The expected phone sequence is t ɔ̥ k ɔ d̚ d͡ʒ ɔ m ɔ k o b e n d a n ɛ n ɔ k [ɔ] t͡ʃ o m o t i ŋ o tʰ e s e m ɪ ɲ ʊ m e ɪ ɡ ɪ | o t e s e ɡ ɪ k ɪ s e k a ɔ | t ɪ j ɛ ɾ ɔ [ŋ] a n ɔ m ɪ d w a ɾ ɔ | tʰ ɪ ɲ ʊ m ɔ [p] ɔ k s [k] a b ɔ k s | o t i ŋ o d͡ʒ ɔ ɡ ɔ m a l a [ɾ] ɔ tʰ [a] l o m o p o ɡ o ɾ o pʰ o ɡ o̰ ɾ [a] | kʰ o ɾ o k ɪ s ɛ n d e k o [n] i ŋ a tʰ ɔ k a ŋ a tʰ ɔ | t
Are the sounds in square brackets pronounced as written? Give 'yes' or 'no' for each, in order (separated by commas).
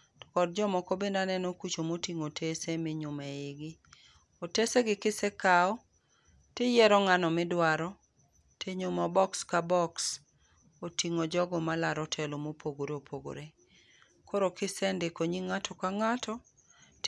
no, yes, no, yes, yes, no, no, no